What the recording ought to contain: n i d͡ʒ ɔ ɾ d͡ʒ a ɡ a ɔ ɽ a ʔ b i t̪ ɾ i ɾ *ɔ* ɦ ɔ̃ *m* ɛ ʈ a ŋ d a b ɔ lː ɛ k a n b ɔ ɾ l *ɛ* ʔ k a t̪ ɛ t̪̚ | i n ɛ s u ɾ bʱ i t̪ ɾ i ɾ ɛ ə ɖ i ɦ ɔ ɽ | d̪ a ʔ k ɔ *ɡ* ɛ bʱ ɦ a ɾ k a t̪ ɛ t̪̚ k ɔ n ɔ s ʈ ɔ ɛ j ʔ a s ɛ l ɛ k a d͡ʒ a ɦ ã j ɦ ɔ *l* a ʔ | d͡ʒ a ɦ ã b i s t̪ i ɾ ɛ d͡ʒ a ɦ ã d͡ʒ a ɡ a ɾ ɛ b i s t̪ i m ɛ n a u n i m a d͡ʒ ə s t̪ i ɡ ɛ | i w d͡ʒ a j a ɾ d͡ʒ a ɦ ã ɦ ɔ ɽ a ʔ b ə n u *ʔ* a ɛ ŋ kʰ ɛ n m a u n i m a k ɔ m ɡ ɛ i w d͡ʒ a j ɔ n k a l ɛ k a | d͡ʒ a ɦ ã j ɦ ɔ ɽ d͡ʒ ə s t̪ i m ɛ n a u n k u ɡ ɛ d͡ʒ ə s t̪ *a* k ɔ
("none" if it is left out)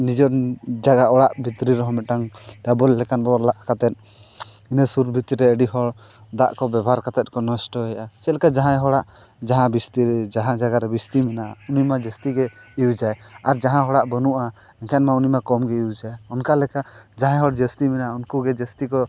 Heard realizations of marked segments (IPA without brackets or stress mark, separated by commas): ɔ, m, a, b, ɽ, ʔ, i